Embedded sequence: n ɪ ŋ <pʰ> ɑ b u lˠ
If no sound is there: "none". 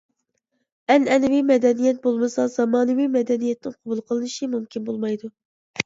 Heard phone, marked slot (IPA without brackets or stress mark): qʰ